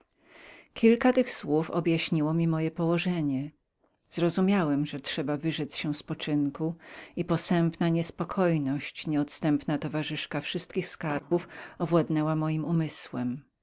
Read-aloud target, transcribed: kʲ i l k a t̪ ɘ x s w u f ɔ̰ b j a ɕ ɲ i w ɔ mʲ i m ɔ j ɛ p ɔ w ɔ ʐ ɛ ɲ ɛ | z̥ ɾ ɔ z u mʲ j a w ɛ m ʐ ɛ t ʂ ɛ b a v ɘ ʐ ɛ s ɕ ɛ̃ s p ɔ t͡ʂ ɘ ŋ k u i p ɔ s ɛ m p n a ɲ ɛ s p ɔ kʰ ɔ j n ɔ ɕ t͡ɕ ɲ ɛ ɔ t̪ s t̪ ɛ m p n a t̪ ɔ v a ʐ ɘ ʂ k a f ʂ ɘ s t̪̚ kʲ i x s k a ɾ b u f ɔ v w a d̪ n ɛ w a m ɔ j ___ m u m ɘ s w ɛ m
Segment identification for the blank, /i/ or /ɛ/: i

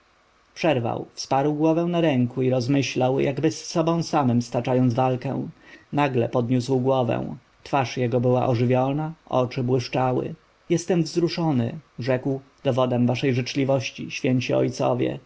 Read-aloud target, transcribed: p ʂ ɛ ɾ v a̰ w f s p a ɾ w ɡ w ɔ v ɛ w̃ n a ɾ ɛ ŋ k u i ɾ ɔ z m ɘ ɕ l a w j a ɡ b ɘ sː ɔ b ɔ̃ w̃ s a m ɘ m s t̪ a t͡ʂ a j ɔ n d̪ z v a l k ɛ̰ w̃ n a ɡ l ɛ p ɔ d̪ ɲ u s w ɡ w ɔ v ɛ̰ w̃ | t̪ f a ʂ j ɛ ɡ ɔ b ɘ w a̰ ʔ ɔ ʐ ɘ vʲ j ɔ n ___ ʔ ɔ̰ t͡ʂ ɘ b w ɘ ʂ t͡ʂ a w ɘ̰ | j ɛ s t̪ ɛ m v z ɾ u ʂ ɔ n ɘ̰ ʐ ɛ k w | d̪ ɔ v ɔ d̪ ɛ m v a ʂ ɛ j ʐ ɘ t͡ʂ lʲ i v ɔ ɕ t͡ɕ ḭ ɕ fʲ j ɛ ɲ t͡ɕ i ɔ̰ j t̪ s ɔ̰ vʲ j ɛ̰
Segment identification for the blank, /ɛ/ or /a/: a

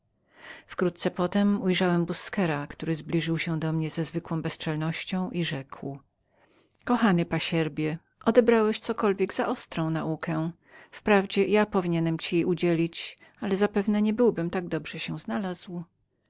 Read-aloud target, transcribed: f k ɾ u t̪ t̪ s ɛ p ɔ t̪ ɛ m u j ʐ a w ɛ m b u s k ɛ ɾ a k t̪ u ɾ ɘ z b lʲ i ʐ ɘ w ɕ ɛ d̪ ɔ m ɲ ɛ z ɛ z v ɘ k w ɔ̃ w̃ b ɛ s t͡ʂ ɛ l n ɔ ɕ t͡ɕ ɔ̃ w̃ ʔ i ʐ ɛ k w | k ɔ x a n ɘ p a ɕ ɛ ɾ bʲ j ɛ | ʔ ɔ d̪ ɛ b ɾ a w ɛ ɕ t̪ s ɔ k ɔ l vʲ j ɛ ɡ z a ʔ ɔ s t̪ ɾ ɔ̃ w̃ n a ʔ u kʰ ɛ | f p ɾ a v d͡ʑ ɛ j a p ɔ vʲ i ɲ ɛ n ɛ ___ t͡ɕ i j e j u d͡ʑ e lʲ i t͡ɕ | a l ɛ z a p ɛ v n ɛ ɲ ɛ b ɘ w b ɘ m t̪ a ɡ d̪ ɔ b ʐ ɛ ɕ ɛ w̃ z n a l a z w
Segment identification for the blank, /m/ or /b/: m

